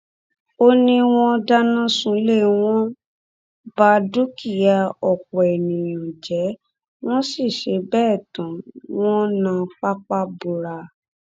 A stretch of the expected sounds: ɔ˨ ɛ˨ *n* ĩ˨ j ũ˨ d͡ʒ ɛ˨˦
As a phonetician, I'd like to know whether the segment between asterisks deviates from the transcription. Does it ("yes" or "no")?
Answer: no